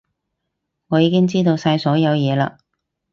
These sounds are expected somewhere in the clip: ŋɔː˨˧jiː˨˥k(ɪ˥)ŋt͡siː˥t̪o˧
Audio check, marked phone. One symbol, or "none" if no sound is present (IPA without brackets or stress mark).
ɪ˥